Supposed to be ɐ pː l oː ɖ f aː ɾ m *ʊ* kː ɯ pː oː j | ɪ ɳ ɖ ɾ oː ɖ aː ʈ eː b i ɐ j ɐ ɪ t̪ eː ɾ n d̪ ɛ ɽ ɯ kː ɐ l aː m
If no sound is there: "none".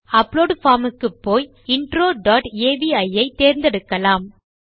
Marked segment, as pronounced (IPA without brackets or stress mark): ɯ